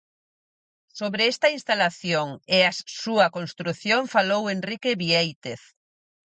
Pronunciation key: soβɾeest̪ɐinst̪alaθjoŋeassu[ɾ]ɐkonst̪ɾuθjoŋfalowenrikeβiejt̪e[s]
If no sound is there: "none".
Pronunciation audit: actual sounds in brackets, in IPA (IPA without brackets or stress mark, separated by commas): none, θ